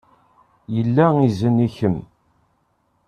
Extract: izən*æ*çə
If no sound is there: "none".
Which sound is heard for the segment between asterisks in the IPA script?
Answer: i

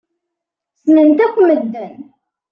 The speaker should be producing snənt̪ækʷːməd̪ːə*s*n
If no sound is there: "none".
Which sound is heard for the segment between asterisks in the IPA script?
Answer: none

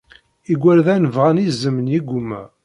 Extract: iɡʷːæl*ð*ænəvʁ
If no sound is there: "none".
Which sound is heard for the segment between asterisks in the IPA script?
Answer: ð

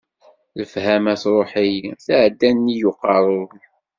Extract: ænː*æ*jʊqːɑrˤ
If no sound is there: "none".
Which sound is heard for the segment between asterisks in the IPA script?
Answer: i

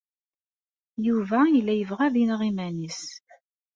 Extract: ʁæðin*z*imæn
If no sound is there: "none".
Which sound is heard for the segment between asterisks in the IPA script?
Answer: ʁ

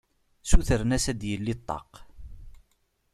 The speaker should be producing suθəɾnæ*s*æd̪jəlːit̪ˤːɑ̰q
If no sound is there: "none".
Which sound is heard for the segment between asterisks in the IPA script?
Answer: s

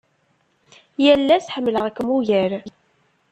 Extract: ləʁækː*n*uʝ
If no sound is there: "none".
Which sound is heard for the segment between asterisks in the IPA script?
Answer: m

